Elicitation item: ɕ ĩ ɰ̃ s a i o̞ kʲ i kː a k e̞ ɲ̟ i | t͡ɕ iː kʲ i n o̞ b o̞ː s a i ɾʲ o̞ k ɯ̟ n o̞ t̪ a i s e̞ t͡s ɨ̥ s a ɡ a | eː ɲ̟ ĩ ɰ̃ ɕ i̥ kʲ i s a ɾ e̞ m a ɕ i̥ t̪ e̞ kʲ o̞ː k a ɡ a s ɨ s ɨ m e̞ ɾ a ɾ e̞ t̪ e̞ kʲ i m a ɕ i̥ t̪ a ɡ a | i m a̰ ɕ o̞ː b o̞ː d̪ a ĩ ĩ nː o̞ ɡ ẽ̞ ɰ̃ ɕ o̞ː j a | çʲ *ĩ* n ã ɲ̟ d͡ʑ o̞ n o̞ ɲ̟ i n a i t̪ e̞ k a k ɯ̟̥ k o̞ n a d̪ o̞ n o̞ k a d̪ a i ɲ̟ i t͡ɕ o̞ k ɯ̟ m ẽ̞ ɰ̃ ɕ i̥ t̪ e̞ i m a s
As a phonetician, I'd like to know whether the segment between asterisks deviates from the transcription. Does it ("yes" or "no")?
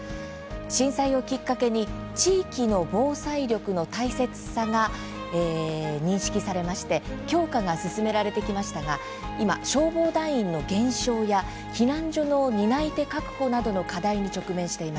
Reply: yes